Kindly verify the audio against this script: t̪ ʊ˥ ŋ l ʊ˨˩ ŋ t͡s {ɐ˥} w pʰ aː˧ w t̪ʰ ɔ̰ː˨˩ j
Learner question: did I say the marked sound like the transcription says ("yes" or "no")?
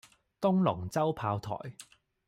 yes